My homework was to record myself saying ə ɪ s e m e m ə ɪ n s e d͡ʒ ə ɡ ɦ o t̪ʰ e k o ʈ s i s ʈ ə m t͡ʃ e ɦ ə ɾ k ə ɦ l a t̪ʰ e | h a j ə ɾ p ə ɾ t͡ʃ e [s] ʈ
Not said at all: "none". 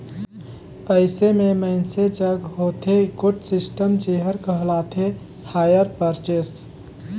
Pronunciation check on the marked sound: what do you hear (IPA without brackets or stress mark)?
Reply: s